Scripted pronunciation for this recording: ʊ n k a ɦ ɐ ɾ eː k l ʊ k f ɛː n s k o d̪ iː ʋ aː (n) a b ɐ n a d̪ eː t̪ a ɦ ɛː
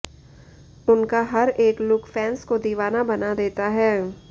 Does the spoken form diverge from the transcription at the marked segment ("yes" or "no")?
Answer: no